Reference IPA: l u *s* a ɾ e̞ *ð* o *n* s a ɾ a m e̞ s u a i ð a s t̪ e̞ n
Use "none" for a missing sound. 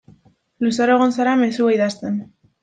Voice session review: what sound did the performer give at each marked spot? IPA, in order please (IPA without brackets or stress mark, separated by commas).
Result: s, ɣ, n